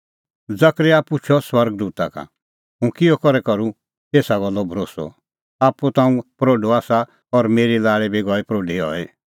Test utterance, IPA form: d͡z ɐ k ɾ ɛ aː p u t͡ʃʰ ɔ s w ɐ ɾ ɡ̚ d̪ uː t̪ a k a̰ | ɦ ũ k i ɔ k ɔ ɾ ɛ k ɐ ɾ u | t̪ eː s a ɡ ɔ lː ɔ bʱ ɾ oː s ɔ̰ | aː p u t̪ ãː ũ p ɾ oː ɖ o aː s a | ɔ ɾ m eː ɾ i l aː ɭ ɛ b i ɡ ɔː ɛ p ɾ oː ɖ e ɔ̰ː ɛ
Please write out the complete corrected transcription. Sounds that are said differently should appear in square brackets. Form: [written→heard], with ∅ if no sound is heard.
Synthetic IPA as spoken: d͡z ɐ k ɾ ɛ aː p u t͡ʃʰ ɔ s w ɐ ɾ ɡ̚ d̪ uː t̪ a k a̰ | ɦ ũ k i ɔ k ɔ ɾ ɛ k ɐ ɾ u | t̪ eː s a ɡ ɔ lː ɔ bʱ ɾ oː s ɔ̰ | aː p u t̪ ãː ũ p ɾ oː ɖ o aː s a | ɔ ɾ m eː ɾ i l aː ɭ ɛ b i ɡ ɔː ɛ p ɾ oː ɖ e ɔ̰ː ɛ